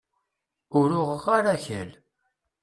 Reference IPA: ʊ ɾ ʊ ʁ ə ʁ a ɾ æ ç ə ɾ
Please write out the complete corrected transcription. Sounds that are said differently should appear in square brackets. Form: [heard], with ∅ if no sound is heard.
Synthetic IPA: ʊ ɾ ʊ ʁ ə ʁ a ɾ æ ç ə [l]